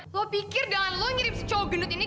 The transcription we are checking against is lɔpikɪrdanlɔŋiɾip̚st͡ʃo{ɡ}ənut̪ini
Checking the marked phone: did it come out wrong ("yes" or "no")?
no